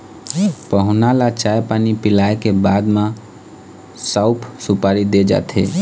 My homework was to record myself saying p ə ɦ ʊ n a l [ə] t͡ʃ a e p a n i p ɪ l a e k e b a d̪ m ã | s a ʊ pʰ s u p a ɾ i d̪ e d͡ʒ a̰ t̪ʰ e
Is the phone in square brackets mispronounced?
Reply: yes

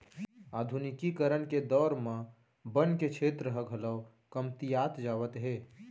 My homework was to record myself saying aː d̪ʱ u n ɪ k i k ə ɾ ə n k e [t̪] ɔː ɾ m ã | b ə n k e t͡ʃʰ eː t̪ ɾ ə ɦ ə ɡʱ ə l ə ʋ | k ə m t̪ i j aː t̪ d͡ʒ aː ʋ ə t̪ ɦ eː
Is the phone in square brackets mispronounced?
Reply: yes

